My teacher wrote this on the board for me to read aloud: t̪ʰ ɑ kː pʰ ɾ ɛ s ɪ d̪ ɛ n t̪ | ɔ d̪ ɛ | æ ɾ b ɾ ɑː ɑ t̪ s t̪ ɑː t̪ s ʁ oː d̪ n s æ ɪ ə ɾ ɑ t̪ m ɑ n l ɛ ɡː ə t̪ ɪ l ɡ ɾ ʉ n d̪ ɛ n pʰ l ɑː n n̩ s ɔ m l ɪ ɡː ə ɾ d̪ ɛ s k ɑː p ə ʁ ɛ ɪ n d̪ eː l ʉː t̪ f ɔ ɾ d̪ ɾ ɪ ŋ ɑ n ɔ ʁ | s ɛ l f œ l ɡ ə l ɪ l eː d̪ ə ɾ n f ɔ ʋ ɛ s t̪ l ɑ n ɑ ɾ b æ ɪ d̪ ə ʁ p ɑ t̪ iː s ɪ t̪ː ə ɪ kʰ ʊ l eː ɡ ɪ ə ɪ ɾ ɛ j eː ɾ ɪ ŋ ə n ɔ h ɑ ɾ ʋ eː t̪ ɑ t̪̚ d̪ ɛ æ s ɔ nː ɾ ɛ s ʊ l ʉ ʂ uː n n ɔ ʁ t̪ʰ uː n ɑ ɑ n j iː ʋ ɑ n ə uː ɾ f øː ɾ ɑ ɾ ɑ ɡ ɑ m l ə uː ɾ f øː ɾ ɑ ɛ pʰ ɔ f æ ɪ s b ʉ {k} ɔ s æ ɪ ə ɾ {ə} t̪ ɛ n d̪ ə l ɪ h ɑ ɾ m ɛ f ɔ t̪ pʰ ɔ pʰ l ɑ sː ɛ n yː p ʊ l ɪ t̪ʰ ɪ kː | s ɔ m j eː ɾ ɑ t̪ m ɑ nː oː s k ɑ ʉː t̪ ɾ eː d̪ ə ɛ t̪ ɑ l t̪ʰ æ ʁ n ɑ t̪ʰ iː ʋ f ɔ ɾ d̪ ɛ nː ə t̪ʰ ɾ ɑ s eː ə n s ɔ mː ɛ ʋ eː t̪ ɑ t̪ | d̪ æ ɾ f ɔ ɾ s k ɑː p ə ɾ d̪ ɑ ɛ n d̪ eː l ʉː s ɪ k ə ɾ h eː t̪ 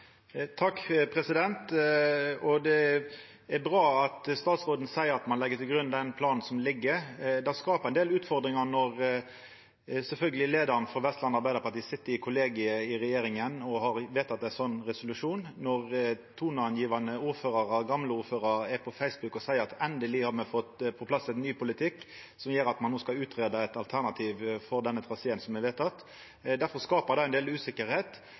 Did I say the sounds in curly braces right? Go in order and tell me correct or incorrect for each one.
correct, incorrect: ɑ

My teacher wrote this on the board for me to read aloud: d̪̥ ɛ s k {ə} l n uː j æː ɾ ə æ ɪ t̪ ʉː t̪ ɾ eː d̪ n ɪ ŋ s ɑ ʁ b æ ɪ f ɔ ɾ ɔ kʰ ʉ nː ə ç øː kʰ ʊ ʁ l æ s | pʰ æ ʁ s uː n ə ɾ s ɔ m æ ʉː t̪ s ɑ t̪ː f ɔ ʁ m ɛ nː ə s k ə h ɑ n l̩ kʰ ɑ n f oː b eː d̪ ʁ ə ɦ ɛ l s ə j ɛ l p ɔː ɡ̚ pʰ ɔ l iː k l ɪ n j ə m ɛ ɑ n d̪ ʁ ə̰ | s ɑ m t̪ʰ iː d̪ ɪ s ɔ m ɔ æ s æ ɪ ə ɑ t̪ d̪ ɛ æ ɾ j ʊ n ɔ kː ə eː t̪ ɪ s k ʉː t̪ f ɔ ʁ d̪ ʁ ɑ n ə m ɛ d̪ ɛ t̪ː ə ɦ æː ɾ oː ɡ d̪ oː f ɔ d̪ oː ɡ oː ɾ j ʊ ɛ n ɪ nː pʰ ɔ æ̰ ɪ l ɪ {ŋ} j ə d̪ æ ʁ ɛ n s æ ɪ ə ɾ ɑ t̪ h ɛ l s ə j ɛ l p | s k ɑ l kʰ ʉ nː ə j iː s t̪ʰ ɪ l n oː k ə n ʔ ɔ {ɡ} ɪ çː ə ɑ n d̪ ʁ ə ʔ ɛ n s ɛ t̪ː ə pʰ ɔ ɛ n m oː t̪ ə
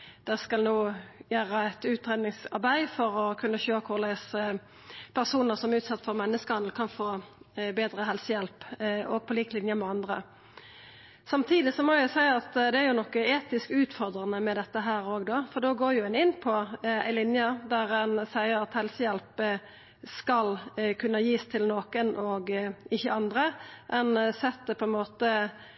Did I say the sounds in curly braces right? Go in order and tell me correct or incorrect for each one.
incorrect: ɑ, incorrect: n, correct

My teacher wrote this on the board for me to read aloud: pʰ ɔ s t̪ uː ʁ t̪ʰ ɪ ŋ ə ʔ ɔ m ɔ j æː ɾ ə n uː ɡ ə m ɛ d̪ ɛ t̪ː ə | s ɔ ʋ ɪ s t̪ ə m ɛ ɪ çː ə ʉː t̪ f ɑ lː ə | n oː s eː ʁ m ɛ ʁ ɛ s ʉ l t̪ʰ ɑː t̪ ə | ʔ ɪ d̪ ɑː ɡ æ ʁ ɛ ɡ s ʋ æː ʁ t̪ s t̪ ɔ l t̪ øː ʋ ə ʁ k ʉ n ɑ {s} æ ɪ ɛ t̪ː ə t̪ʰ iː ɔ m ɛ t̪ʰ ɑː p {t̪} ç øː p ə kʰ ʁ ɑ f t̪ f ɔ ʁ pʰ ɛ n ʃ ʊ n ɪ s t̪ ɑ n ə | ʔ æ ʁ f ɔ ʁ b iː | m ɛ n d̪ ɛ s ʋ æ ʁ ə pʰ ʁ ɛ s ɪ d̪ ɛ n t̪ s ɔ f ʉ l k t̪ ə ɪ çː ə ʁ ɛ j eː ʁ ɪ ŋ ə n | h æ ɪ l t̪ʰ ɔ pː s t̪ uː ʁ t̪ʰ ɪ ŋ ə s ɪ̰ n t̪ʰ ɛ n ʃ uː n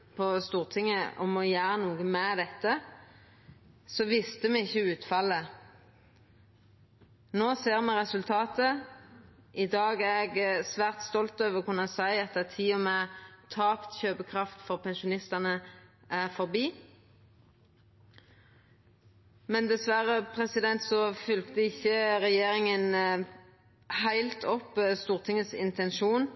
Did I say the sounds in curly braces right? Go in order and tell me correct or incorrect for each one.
correct, correct

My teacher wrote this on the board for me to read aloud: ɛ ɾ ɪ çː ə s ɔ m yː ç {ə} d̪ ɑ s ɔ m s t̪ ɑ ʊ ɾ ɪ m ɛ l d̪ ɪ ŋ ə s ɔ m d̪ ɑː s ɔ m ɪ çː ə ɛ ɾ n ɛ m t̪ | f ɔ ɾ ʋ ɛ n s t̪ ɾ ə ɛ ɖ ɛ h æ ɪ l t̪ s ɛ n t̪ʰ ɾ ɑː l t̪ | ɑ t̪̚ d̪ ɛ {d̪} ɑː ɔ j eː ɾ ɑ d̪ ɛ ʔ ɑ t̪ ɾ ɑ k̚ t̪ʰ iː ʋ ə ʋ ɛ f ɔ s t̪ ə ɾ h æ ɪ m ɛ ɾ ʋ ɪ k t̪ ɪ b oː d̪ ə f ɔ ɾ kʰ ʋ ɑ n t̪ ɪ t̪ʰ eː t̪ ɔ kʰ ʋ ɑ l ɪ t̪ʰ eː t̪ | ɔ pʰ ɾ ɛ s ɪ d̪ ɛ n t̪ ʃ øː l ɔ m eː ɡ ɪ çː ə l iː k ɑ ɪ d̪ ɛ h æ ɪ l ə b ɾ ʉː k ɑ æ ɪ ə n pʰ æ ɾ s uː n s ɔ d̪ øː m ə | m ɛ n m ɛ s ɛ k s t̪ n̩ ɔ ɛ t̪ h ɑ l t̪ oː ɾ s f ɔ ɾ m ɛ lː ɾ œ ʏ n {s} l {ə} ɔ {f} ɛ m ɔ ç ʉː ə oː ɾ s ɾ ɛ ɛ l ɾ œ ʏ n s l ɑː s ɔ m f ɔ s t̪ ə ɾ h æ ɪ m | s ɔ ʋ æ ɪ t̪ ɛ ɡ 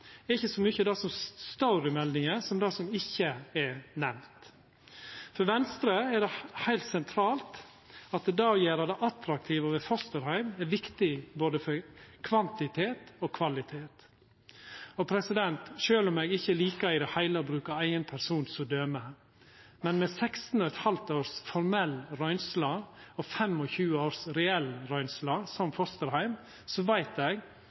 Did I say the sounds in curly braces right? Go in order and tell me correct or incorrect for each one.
correct, correct, correct, incorrect: ɑ, correct

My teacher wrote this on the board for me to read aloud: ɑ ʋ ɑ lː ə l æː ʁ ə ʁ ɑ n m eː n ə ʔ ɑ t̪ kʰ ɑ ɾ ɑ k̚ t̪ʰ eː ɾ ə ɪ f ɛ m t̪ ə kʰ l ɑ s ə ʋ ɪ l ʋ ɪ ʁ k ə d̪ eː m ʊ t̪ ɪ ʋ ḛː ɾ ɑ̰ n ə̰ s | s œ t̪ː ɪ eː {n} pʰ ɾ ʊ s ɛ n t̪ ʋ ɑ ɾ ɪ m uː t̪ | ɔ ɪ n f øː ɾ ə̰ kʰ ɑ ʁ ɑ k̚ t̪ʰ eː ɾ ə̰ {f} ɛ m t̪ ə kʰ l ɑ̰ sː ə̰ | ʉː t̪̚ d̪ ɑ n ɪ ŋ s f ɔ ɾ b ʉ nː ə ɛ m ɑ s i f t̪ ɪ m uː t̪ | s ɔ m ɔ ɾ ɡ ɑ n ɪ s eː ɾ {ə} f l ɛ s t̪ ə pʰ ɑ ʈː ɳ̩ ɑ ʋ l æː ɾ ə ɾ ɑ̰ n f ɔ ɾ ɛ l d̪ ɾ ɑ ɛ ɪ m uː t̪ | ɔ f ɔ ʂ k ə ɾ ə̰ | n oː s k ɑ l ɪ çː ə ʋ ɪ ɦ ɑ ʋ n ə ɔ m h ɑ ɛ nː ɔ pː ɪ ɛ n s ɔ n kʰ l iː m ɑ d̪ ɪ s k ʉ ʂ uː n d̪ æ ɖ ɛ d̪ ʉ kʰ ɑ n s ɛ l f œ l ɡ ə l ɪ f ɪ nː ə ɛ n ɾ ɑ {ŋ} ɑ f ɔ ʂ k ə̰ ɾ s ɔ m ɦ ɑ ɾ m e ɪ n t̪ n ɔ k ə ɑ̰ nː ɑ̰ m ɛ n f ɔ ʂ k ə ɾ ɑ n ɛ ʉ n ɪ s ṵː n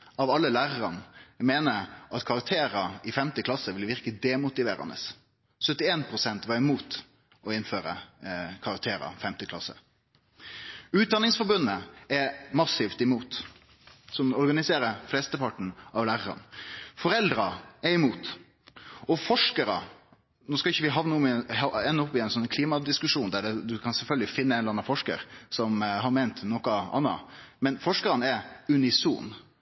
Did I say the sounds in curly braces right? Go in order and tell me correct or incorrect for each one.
correct, correct, correct, incorrect: n

